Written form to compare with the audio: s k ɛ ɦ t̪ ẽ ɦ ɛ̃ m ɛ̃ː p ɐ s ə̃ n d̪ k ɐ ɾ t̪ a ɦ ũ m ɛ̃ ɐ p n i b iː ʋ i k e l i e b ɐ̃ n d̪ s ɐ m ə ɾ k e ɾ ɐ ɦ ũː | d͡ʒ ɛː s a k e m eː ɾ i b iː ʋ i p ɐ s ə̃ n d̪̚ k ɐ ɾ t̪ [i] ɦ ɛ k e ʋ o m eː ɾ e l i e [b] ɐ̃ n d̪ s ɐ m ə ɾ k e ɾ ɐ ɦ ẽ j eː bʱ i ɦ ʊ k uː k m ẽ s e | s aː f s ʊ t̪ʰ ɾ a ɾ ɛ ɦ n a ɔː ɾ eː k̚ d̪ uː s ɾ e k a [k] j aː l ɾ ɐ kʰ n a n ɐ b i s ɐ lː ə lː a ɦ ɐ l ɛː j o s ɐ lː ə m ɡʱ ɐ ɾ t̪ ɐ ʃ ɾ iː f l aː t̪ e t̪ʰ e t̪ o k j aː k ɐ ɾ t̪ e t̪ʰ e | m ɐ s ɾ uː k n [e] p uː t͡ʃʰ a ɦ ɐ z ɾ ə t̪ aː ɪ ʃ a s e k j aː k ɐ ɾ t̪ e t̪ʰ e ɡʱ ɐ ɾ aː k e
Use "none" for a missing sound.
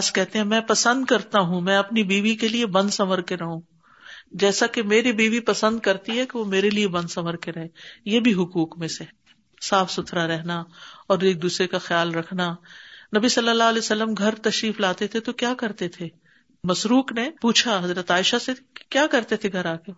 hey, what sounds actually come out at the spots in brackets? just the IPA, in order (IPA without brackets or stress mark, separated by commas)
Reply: i, b, x, e